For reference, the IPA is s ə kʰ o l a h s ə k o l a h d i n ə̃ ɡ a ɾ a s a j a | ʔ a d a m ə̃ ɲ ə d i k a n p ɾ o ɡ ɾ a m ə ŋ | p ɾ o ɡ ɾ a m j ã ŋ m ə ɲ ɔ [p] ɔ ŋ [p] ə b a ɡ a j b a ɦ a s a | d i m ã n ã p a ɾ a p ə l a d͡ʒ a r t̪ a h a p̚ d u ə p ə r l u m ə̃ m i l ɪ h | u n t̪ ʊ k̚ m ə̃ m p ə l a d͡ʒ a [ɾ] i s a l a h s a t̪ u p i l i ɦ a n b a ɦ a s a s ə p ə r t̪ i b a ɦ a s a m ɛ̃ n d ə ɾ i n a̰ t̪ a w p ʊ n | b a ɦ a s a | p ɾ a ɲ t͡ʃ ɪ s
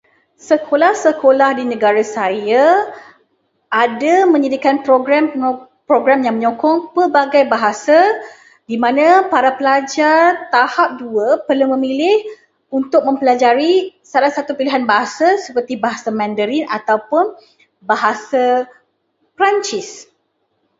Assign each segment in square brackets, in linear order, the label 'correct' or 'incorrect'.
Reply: incorrect: k, correct, correct

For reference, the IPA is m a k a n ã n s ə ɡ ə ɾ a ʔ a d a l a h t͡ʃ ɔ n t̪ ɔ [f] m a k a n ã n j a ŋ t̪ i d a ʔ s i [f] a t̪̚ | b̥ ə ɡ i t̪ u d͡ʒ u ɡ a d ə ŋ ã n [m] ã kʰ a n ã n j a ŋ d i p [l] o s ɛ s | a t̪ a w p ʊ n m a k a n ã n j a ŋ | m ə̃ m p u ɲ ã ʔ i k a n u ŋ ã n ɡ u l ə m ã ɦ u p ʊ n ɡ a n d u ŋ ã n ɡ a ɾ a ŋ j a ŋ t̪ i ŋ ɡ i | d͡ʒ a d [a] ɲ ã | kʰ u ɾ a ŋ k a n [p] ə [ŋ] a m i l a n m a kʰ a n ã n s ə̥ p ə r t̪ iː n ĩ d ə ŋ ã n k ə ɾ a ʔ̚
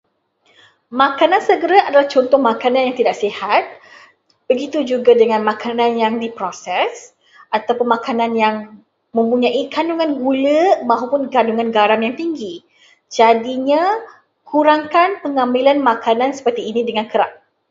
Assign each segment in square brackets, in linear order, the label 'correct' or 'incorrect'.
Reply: incorrect: h, incorrect: h, correct, incorrect: ɾ, incorrect: i, correct, correct

